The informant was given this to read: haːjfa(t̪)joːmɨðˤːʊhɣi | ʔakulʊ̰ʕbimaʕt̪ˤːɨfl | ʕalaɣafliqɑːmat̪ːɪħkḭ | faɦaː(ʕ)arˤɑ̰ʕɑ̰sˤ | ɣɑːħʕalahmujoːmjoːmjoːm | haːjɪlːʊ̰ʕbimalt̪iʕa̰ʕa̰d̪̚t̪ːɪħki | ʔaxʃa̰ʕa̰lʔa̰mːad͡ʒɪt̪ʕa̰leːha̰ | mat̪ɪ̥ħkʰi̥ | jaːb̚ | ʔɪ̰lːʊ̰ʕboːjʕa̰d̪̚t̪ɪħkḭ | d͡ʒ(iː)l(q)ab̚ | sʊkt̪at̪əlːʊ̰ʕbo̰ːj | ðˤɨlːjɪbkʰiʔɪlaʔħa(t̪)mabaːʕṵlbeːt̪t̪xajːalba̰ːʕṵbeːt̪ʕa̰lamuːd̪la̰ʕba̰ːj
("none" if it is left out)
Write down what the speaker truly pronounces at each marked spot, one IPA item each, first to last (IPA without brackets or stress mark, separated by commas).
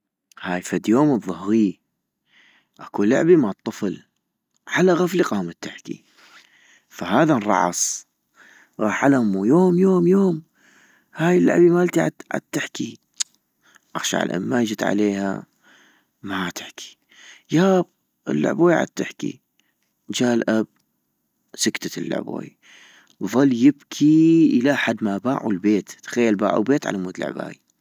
d̪, ð, aː, ʔ, d̪